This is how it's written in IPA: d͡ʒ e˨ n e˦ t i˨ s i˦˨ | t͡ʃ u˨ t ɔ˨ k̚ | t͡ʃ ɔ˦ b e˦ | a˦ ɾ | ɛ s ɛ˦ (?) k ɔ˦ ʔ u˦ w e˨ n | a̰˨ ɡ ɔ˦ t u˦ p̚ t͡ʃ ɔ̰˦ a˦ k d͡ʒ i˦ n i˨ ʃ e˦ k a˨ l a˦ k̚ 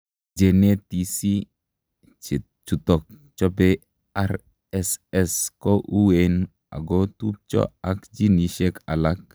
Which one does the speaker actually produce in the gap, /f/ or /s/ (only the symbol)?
s